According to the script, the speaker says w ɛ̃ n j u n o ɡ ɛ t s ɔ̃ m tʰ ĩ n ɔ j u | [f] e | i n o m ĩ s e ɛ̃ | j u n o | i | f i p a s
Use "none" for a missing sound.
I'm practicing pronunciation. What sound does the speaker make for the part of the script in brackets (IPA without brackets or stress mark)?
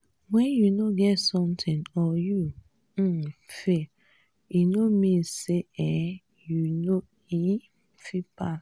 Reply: f